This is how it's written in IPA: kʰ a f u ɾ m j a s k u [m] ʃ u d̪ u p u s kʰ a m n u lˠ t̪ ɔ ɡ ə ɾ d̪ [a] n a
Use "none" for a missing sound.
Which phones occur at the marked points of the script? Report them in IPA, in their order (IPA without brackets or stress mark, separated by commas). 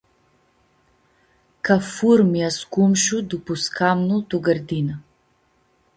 m, i